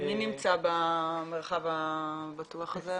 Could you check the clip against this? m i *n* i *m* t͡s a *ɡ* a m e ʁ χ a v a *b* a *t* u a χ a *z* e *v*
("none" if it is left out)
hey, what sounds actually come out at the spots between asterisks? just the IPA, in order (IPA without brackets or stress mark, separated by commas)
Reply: n, m, b, b, t, z, none